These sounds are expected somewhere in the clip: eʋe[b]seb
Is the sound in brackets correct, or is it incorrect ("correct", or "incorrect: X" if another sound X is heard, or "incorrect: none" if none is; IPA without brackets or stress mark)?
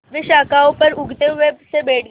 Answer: correct